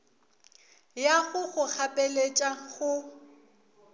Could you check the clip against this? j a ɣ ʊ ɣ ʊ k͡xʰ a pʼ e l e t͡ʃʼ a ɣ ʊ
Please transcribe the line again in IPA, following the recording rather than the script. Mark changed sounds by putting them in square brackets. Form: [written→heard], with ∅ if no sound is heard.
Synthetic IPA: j a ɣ ʊ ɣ ʊ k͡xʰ a pʼ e l e t͡ʃʼ a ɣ ʊ